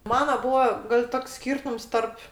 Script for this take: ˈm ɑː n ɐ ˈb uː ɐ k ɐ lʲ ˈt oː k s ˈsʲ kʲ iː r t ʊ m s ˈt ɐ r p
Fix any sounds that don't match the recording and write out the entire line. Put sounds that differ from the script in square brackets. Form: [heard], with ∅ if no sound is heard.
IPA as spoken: ˈm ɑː n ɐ ˈb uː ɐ [ɡ] ɐ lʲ ˈt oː k s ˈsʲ kʲ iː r t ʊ m s ˈt ɐ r p

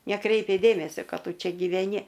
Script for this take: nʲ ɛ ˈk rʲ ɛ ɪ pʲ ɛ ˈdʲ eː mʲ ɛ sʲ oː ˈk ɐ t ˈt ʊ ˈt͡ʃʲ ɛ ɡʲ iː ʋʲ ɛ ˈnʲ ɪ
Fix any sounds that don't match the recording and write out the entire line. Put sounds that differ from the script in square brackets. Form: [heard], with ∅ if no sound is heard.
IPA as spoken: nʲ ɛ ˈk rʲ ɛ ɪ pʲ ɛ ˈdʲ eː mʲ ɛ sʲ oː ˈk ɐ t ˈt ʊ ˈt͡ʃʲ ɛ ɡʲ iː ʋʲ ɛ ˈnʲ ɪ

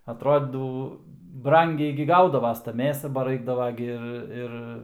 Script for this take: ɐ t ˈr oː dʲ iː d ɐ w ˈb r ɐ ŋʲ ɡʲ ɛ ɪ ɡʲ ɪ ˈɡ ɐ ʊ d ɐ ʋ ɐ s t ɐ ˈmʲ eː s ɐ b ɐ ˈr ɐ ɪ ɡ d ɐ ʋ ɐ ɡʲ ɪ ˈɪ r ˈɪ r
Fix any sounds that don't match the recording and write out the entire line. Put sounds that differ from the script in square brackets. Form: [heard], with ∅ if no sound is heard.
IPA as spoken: ɐ t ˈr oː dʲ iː d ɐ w ˈb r ɐ ŋʲ ɡʲ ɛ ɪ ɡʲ ɪ ˈɡ ɐ ʊ d ɐ ʋ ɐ s t ɐ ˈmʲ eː s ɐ b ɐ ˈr ɐ ɪ ɡ d ɐ ʋ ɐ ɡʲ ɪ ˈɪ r ˈɪ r

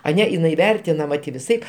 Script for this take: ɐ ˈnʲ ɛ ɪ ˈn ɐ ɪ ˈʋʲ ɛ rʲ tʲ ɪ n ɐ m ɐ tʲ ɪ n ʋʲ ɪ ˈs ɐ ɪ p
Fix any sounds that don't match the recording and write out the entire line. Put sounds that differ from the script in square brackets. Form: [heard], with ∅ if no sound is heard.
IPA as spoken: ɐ ˈnʲ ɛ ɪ ˈn ɐ ɪ ˈʋʲ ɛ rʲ tʲ ɪ n ɐ m ɐ tʲ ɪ [∅] ʋʲ ɪ ˈs ɐ ɪ p

